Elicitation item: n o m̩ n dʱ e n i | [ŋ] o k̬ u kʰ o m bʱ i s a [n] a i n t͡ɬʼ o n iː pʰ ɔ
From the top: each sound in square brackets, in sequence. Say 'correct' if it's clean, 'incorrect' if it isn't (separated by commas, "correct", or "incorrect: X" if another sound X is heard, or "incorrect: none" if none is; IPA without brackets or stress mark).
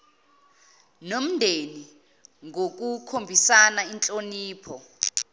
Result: correct, correct